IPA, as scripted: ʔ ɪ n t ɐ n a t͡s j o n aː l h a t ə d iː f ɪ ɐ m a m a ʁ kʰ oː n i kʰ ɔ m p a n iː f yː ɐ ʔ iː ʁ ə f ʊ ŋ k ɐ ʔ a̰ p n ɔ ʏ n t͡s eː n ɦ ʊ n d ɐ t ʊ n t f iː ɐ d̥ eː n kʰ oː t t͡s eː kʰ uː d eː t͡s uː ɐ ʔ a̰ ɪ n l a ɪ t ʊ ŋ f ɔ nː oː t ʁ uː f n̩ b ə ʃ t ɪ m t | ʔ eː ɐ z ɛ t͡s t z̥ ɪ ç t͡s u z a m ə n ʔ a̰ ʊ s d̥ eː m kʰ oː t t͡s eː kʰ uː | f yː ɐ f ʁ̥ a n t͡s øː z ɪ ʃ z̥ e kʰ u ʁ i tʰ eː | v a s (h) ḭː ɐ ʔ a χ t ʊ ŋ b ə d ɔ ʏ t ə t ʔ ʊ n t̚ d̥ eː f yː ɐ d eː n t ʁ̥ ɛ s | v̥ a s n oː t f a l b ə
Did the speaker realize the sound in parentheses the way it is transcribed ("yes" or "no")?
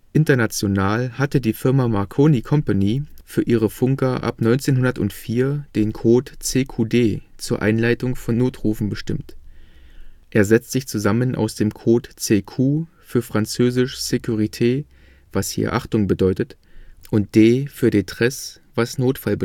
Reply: yes